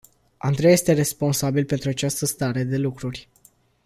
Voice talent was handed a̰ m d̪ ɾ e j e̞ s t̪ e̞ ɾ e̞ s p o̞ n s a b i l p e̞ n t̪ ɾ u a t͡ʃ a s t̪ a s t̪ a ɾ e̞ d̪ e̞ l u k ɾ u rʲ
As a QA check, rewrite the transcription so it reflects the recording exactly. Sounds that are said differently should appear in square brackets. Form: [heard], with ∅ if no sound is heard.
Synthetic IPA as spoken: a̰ [n] d̪ ɾ e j e̞ s t̪ e̞ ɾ e̞ s p o̞ n s a b i l p e̞ n t̪ ɾ u a t͡ʃ a s t̪ [ə] s t̪ a ɾ e̞ d̪ e̞ l u k ɾ u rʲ